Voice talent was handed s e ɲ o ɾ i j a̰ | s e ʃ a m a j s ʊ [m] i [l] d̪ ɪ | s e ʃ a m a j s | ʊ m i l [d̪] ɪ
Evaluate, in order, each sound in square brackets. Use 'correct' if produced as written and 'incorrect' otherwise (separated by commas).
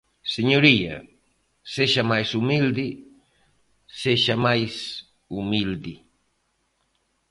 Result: correct, correct, correct